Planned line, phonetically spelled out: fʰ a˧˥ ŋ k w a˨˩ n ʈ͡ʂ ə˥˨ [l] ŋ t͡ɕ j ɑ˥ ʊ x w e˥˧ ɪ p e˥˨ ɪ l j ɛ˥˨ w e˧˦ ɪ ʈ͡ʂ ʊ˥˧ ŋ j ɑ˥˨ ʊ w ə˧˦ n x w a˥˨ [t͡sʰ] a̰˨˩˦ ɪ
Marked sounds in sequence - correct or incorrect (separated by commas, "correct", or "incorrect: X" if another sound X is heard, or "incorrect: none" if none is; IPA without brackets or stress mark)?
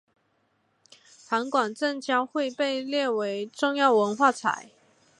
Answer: incorrect: none, correct